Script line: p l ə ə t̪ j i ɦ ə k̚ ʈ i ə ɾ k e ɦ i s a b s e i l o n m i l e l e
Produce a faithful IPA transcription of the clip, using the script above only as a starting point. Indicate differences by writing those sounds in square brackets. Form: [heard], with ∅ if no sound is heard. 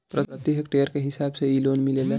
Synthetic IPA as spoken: p [ɾ] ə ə t̪ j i ɦ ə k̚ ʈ [e] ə ɾ k e ɦ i s a b s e i l o n m i l e l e